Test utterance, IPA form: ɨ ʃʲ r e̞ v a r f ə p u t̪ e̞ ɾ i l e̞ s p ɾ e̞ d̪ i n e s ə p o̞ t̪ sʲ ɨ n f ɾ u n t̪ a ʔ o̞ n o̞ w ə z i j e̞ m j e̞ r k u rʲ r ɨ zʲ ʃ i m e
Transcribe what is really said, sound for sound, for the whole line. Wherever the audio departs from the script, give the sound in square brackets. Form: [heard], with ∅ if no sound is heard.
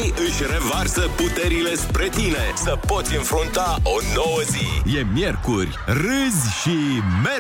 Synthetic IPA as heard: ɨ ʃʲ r e̞ v a r [s] ə p u t̪ e̞ ɾ i l e̞ s p ɾ e̞ [t̪] i n e s ə p o̞ t̪ sʲ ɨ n f ɾ u n t̪ a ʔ o̞ n o̞ w ə z i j e̞ m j e̞ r k u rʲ r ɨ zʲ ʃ i m e